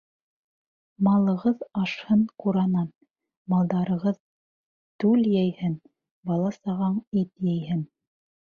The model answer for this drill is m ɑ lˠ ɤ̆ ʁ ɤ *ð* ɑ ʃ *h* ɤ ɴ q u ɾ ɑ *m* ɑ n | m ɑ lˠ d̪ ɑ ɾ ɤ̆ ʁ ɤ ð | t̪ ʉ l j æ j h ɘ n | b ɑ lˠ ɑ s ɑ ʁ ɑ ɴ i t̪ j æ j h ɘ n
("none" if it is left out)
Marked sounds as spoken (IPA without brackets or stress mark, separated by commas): ð, h, n